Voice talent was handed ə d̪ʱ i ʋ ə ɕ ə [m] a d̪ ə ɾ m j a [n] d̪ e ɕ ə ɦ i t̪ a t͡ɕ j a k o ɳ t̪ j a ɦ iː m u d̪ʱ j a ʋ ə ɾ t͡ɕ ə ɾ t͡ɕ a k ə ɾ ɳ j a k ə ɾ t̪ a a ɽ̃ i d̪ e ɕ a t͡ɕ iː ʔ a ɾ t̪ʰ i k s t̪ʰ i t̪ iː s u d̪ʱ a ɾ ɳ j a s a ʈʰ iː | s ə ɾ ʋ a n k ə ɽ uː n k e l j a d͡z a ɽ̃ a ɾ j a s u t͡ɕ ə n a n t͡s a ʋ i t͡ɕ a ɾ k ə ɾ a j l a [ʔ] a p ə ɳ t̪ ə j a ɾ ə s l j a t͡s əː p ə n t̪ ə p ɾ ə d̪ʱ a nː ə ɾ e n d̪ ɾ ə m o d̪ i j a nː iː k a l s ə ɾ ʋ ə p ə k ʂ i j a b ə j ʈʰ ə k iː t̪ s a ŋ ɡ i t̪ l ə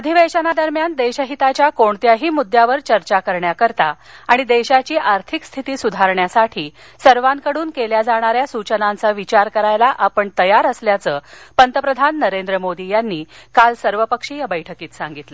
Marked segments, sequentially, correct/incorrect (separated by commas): incorrect, correct, correct